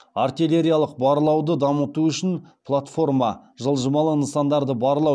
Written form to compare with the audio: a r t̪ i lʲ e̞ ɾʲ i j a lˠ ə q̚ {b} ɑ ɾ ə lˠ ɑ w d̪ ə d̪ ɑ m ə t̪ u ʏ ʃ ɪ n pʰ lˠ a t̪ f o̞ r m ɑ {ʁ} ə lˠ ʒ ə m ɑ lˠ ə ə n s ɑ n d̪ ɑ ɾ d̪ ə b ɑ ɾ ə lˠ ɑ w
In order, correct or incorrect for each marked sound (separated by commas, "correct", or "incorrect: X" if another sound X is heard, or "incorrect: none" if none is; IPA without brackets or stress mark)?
correct, incorrect: ʒ